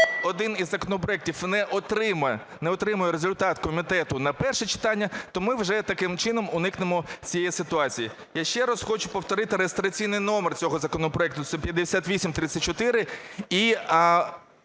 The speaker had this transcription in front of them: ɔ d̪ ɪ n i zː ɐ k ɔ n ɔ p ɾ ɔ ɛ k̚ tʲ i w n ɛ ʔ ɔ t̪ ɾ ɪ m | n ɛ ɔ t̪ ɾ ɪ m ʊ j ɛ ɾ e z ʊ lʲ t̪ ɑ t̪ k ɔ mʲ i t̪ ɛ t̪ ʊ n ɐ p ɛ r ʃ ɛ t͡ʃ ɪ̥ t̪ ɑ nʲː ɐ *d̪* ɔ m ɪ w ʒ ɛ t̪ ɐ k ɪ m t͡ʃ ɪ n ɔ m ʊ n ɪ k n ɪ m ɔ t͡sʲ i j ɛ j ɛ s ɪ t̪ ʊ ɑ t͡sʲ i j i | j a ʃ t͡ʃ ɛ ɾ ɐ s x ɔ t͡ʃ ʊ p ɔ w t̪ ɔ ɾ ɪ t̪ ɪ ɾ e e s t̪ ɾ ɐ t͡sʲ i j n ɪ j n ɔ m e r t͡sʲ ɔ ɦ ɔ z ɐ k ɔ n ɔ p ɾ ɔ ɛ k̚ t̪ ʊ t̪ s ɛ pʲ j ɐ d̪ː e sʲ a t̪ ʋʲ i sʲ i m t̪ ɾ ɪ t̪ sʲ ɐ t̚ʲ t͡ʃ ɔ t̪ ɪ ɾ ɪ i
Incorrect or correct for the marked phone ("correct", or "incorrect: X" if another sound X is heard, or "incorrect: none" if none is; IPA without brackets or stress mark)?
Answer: incorrect: t̪